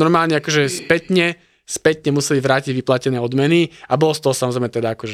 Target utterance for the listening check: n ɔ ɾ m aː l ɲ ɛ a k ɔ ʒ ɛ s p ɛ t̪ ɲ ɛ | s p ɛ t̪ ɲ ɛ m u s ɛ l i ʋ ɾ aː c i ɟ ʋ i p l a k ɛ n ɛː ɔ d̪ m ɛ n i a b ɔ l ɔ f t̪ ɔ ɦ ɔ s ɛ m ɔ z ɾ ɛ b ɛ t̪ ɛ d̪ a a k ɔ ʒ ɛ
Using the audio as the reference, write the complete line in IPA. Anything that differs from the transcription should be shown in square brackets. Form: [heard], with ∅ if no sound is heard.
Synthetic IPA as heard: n ɔ ɾ m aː l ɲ ɛ a k ɔ ʒ ɛ s p ɛ t̪ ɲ ɛ | s p ɛ t̪ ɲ ɛ m u s ɛ l i ʋ ɾ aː c i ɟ ʋ i p l a [c] ɛ n ɛː ɔ d̪ m ɛ n i a b ɔ l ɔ [s] t̪ ɔ ɦ ɔ s [a] m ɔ z ɾ ɛ [m] ɛ t̪ ɛ d̪ a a k ɔ ʒ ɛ